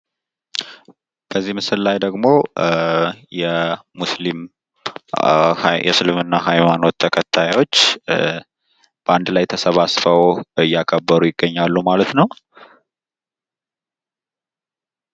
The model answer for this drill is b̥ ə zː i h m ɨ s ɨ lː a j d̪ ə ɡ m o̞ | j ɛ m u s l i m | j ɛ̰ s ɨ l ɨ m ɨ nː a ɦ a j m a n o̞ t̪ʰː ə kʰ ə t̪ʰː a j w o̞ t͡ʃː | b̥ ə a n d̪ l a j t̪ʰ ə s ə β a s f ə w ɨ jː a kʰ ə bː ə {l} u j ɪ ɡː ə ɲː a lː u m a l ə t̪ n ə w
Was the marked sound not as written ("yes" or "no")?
yes